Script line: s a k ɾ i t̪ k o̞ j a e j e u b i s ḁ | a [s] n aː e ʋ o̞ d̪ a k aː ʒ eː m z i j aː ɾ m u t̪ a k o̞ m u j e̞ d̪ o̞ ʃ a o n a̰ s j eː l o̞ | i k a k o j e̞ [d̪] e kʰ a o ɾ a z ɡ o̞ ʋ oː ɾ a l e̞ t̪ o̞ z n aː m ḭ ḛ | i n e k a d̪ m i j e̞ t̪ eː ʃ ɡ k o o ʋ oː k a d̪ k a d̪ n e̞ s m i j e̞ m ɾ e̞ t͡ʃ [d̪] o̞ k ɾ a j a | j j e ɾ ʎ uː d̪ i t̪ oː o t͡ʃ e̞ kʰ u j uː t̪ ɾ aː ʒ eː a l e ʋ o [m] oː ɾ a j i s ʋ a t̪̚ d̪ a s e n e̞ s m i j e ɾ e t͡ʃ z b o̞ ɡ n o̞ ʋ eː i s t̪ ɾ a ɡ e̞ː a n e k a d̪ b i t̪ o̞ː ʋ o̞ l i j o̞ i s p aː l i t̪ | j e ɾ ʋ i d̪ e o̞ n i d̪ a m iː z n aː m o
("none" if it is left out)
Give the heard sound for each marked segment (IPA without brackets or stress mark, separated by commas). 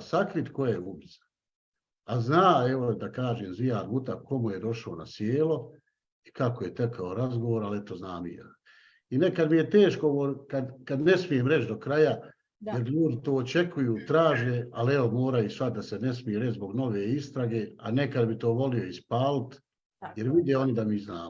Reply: z, t̪, d̪, m